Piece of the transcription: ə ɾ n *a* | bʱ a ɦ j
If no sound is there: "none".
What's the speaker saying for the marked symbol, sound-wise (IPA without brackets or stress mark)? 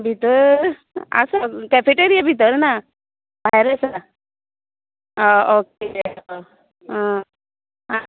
a